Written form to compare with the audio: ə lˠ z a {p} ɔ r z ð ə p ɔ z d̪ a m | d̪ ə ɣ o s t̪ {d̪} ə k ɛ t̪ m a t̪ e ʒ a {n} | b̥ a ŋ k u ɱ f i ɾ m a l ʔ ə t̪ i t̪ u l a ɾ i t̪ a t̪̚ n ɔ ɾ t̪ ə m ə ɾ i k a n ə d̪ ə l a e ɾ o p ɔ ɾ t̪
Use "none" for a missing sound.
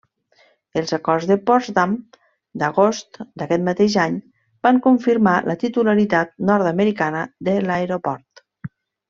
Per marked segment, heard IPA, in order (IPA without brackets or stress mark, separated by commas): k, d̪, ɲ